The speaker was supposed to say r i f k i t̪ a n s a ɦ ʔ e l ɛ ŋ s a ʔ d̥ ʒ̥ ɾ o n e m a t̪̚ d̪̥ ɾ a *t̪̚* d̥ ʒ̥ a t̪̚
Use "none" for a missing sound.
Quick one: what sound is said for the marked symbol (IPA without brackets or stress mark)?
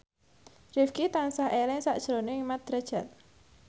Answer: none